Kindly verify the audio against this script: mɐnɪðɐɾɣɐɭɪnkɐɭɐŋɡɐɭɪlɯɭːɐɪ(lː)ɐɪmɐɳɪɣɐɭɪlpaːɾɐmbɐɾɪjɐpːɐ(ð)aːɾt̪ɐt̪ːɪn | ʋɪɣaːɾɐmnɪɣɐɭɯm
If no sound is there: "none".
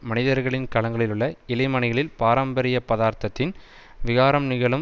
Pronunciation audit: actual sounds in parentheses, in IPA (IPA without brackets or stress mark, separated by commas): l, ð